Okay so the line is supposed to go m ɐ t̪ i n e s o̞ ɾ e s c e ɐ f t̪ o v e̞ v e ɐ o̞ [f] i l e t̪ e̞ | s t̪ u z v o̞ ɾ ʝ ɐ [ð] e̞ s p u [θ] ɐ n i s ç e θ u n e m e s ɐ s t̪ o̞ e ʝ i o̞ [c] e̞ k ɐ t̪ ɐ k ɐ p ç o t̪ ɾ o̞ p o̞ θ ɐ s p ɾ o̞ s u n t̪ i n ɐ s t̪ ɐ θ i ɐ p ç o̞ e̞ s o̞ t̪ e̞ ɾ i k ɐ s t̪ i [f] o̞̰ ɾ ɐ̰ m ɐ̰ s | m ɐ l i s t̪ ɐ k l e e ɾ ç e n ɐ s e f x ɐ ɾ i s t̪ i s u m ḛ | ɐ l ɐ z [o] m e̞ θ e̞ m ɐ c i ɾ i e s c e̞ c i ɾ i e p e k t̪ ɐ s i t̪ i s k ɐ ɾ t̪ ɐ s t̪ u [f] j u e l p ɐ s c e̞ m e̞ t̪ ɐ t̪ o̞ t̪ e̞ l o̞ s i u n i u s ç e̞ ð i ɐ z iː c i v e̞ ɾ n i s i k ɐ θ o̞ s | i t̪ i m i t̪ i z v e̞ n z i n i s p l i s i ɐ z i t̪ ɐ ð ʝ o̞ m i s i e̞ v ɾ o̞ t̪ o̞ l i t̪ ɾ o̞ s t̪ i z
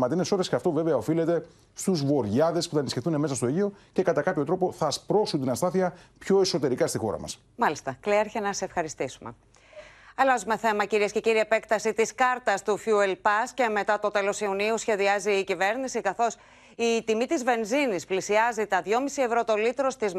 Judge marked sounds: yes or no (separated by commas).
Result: yes, yes, yes, yes, no, no, yes